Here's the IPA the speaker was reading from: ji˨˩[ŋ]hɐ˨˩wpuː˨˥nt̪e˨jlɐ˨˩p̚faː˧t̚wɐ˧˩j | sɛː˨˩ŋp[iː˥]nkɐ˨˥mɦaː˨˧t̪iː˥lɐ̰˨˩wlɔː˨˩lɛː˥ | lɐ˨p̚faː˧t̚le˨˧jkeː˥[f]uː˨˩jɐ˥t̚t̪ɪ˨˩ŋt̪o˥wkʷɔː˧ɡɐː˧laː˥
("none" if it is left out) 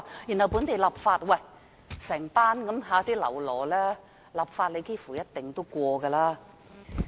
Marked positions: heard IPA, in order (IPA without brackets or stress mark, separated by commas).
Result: n, aː˥, f